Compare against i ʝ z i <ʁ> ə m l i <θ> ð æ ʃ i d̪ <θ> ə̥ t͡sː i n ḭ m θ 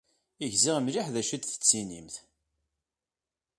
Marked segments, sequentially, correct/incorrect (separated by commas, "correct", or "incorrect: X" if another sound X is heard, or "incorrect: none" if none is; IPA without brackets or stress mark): correct, incorrect: ħ, correct